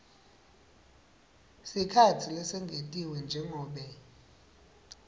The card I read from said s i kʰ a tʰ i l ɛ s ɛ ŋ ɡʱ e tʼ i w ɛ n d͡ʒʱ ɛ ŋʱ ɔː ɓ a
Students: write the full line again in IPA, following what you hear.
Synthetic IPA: s i kʰ a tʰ i l ɛ s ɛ ŋ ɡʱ e tʼ i w ɛ n d͡ʒʱ ɛ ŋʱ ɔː ɓ ɛ